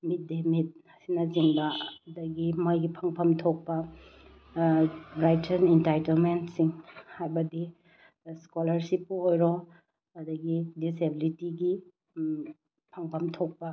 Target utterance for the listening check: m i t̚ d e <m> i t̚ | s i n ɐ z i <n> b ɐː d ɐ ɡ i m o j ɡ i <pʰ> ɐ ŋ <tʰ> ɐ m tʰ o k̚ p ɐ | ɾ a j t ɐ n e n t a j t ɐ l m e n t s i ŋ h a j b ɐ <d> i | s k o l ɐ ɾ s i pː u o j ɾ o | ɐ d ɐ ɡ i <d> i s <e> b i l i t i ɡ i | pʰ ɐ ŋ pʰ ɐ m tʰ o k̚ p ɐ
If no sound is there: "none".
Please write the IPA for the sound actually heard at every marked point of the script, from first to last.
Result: m, ŋ, pʰ, pʰ, d, d, e

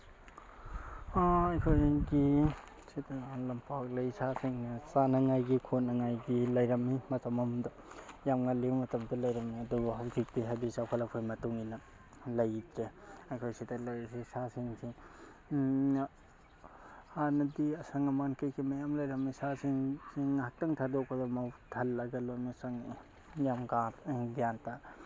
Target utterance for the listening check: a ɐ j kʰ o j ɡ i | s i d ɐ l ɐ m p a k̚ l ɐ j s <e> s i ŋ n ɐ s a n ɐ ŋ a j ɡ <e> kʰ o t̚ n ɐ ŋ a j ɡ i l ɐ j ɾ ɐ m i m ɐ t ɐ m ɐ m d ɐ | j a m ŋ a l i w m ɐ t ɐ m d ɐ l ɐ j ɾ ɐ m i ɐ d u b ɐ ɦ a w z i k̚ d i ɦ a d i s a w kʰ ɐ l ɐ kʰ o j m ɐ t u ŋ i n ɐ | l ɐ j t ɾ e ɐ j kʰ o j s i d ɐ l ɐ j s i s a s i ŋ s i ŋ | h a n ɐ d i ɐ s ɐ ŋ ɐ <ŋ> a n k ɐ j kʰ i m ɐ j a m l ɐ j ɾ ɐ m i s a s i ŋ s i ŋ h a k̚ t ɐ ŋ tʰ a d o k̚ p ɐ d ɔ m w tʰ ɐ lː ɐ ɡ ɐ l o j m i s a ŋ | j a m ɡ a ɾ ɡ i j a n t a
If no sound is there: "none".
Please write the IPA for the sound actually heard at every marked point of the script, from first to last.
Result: a, i, m

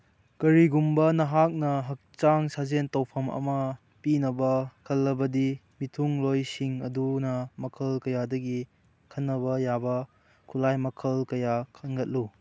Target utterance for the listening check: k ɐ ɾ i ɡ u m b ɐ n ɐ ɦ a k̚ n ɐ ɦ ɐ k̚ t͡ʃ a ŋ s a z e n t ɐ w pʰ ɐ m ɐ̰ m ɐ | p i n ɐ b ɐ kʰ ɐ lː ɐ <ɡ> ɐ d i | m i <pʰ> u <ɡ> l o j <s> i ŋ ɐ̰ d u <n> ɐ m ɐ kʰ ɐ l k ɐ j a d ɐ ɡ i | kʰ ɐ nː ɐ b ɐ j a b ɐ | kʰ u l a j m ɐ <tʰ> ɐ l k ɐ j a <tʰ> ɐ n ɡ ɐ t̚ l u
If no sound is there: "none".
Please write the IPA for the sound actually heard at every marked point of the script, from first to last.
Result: b, tʰ, ŋ, s, n, kʰ, kʰ

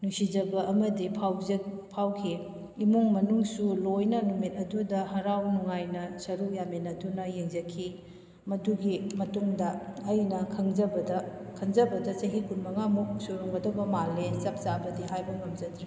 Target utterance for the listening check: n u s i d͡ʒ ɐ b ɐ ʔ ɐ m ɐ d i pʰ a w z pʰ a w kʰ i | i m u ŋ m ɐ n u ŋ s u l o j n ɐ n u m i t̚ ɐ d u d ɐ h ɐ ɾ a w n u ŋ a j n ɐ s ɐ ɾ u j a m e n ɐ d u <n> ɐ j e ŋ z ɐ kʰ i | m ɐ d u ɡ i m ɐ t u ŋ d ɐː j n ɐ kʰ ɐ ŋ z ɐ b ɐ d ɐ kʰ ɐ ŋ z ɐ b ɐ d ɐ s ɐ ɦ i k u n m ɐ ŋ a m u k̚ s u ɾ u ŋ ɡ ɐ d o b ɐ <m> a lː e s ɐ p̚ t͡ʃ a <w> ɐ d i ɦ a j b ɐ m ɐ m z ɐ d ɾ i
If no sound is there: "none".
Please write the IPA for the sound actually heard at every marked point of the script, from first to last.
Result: n, m, b

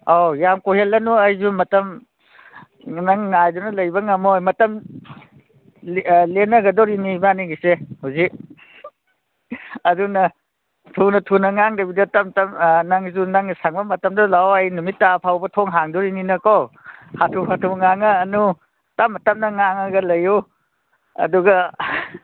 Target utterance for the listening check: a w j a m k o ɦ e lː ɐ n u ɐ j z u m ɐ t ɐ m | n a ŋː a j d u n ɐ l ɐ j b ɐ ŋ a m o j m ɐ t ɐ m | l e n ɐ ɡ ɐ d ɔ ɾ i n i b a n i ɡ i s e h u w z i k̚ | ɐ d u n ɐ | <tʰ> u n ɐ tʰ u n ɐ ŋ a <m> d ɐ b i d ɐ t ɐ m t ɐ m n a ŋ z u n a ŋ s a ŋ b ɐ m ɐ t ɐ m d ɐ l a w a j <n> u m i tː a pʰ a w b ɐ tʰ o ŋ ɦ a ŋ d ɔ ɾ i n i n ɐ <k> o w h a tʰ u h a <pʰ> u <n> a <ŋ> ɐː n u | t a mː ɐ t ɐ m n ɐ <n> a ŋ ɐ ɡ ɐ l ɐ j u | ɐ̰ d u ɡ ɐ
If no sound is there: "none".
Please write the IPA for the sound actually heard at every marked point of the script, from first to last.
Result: tʰ, ŋ, n, k, tʰ, ŋ, ŋ, ŋ

